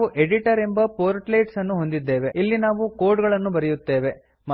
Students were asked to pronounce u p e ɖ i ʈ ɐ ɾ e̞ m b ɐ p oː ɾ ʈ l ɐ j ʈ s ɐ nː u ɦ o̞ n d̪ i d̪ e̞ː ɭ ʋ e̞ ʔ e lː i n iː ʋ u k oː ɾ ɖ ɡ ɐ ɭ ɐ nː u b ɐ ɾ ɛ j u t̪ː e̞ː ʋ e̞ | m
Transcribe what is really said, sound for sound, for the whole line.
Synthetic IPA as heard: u ʔ e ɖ i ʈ ɐ ɾ e̞ m b ɐ p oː ɾ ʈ l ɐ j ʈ s ɐ nː u ɦ o̞ n d̪ i d̪ː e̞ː ʋ e̞ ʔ i lː i n aː ʋ u k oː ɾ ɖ ɡ ɐ ɭ ɐ nː u b ɐ ɾ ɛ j u t̪ː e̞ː ʋ e̞ | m